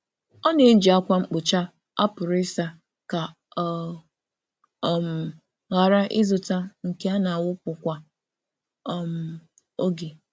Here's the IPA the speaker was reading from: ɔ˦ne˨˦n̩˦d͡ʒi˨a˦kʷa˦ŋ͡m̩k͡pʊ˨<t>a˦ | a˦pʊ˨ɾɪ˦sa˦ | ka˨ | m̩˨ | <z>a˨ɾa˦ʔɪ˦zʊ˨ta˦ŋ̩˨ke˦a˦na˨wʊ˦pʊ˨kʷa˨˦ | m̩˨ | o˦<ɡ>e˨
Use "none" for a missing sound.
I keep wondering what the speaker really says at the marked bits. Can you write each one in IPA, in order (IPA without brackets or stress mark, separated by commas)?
t͡ʃ, ɣ, ɡ